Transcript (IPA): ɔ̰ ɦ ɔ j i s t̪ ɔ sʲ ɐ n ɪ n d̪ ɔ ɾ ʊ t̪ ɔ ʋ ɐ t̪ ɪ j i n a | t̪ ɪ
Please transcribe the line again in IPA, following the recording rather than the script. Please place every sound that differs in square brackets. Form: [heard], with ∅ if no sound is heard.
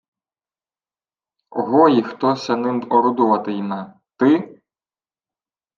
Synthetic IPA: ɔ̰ ɦ ɔ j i [x] t̪ ɔ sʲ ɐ n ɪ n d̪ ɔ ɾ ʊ [d̪] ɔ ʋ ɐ t̪ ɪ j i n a | t̪ ɪ